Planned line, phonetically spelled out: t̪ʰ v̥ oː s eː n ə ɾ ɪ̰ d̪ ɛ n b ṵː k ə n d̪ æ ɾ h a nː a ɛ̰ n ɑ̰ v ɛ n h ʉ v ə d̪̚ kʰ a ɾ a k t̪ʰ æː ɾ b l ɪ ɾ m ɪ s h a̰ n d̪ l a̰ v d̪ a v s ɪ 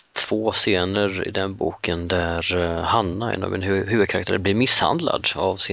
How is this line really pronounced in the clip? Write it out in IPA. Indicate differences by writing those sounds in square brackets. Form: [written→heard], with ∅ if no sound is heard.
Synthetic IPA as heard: t̪ʰ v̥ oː s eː n ə ɾ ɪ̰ d̪ ɛ n b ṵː k ə n d̪ æ ɾ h a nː a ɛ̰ n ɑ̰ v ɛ n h ʉ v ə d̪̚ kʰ a ɾ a k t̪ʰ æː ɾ b l ɪ ɾ m ɪ s h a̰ n d̪ l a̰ [v→∅] d̪ a v s ɪ